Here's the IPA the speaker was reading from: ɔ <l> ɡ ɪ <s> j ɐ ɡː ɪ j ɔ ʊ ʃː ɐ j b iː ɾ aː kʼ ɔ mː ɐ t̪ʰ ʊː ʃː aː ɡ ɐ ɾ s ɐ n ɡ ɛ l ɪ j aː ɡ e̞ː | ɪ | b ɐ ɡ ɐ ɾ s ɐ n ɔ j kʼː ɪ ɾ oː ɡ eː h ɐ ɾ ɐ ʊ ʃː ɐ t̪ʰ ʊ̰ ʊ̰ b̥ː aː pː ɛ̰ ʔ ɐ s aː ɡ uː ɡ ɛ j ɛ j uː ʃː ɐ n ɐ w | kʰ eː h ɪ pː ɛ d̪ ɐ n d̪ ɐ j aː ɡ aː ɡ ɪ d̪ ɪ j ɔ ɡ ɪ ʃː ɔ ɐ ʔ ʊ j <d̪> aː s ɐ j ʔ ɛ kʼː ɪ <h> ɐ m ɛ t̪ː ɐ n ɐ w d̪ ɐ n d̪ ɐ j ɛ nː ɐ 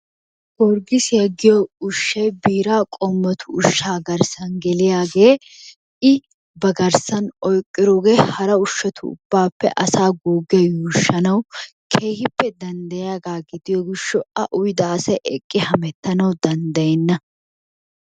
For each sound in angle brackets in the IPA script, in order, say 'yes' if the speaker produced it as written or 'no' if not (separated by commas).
no, yes, yes, yes